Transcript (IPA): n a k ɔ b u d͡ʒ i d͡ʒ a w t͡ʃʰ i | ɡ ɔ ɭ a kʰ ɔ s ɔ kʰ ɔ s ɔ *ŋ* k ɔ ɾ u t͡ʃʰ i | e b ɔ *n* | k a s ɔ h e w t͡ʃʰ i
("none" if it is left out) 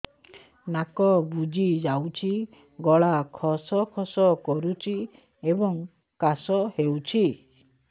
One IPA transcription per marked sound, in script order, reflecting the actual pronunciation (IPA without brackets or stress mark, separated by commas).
none, ŋ